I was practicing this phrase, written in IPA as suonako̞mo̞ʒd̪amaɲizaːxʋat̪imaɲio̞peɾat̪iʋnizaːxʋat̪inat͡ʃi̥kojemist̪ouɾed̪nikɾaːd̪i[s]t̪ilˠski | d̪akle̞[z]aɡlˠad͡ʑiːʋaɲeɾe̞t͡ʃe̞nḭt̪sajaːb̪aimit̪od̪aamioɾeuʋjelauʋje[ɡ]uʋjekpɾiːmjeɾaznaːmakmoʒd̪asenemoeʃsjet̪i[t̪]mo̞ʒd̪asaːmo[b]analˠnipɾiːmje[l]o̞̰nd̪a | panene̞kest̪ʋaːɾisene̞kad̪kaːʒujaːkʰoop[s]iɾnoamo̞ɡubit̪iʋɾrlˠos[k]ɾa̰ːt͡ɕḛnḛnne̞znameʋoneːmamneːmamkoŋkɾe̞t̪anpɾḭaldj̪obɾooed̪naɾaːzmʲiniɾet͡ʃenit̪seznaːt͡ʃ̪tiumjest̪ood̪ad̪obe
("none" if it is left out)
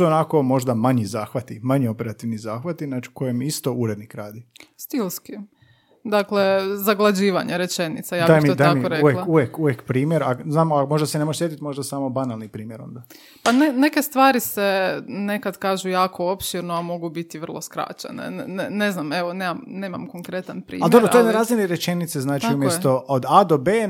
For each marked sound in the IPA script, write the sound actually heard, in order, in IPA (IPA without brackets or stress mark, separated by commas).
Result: s, z, k, t̪, b, ɾ, ʃ, k